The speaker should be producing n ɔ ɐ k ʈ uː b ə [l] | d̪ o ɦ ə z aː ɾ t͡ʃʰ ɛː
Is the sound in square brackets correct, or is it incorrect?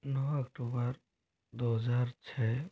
incorrect: ɾ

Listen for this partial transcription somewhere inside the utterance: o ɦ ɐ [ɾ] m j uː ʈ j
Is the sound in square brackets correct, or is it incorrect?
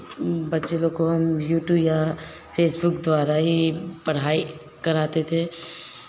incorrect: none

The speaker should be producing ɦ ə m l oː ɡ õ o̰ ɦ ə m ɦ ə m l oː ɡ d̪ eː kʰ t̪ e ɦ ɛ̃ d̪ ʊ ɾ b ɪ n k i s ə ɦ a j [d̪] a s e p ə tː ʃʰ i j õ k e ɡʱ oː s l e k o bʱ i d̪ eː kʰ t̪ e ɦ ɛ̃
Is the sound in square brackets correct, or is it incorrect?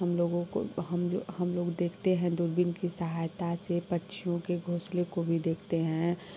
incorrect: t̪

